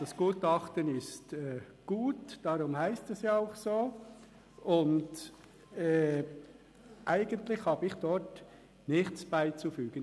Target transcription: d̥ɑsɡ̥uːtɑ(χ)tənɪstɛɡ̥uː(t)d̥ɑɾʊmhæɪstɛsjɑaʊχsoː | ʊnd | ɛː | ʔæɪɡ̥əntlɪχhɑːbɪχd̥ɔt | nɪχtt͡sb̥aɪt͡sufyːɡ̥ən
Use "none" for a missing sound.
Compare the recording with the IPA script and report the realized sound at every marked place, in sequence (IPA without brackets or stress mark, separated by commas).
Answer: χ, t